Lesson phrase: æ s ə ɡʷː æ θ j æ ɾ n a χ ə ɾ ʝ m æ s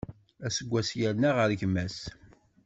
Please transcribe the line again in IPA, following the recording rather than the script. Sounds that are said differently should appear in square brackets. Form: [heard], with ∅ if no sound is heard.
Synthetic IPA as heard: æ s ə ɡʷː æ [s] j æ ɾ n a [ʁ] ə ɾ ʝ m æ s